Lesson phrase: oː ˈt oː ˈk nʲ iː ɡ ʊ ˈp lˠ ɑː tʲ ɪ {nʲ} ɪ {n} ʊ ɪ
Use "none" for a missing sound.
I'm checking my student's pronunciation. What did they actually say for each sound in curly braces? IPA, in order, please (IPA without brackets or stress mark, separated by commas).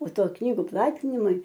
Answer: nʲ, m